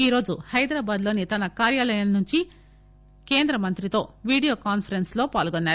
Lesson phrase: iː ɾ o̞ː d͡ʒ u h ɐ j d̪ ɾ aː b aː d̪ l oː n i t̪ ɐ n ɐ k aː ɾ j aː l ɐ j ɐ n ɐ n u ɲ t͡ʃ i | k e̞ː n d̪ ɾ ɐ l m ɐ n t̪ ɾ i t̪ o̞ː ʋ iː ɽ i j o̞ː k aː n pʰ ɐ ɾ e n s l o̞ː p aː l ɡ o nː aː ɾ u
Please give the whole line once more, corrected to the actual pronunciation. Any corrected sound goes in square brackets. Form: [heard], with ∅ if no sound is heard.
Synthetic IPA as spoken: iː ɾ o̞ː d͡ʒ u h ɐ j d̪ ɾ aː b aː d̪ l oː n i t̪ ɐ n ɐ k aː ɾ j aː l ɐ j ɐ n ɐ n u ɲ t͡ʃ i | k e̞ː n d̪ ɾ ɐ [∅] m ɐ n t̪ ɾ i t̪ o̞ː ʋ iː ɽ i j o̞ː k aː n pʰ ɐ ɾ e n s l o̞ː p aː l ɡ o nː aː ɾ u